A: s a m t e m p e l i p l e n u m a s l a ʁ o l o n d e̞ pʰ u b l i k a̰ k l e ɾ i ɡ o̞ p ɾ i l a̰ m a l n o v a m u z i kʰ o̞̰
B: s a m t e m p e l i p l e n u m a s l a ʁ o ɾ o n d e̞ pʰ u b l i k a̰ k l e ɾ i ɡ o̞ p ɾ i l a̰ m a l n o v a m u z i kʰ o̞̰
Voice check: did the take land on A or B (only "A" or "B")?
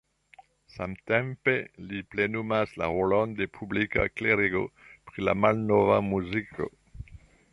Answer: A